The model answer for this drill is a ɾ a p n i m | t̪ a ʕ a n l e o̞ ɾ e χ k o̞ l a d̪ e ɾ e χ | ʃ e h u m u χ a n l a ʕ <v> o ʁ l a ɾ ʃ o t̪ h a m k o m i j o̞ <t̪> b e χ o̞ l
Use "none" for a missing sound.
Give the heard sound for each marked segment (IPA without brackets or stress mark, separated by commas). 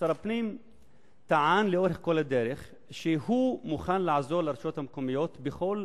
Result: z, t̪